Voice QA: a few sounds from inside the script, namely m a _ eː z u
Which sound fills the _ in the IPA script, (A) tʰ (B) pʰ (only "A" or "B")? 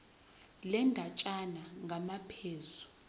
B